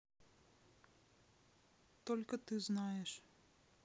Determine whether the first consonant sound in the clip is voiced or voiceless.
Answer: voiceless